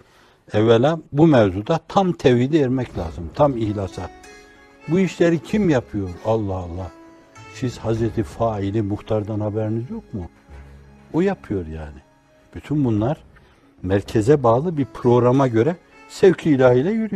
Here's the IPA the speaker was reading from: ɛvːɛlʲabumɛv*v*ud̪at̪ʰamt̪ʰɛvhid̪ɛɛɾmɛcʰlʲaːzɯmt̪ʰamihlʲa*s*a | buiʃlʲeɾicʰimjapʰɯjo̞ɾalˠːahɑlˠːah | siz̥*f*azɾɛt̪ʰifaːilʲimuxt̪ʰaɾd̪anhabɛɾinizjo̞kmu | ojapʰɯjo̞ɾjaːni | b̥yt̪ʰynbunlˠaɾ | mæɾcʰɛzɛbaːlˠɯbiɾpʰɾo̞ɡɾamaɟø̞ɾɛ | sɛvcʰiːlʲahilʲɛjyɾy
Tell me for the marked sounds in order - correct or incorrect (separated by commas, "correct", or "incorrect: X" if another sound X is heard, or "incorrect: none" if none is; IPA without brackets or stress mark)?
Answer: incorrect: z, correct, incorrect: h